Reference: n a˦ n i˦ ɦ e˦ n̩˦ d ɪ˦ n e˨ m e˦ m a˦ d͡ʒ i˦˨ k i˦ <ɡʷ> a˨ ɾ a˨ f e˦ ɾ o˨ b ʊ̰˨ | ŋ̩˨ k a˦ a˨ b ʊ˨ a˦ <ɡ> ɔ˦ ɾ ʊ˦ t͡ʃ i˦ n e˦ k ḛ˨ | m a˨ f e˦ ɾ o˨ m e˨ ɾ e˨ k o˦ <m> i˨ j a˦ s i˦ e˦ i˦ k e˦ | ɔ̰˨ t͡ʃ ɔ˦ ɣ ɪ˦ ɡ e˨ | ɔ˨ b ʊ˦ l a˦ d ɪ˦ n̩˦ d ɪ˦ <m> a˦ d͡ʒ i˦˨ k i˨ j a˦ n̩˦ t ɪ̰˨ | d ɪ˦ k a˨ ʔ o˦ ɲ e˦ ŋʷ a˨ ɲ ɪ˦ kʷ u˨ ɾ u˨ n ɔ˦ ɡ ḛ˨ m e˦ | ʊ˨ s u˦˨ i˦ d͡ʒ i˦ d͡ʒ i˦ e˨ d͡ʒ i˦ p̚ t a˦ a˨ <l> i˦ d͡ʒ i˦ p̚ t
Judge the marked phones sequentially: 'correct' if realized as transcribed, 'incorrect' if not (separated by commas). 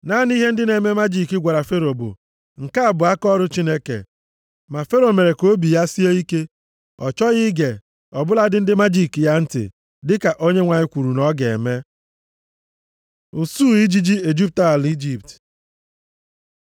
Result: correct, incorrect, incorrect, correct, correct